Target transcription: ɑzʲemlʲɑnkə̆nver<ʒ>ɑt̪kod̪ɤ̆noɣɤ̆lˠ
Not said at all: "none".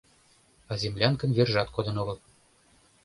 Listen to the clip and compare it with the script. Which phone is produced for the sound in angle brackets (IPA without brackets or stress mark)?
ʒ